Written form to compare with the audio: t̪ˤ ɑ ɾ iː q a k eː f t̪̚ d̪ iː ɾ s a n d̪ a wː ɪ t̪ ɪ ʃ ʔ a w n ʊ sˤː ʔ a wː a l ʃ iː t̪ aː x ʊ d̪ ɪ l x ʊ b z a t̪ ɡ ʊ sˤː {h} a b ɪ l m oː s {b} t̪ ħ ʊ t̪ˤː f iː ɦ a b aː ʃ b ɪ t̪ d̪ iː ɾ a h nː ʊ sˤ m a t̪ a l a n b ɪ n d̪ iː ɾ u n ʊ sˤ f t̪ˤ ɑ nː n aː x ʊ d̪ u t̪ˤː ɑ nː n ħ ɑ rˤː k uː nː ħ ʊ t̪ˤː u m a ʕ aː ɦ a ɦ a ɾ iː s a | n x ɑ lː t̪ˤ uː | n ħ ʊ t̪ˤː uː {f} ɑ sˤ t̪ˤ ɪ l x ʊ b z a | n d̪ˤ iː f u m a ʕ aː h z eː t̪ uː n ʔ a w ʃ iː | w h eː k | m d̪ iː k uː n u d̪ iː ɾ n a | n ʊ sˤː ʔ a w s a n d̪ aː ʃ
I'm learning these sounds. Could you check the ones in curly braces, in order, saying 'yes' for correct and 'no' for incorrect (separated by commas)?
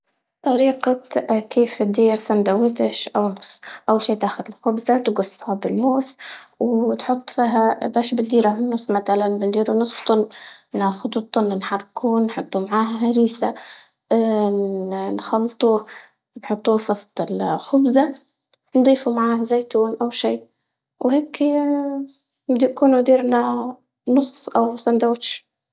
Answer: yes, no, yes